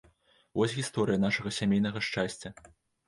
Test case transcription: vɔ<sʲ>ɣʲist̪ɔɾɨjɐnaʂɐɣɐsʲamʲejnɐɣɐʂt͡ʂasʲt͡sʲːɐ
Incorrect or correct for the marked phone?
correct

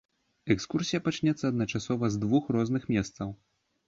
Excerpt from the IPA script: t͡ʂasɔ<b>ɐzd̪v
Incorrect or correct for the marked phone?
incorrect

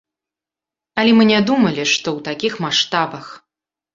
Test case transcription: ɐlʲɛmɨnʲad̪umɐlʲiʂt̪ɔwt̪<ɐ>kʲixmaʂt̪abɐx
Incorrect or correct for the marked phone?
incorrect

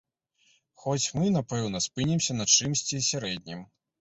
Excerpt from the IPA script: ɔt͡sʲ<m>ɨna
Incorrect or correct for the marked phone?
correct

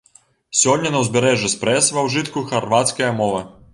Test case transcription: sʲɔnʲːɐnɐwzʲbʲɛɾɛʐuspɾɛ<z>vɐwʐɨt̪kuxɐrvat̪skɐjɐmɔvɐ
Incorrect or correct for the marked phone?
incorrect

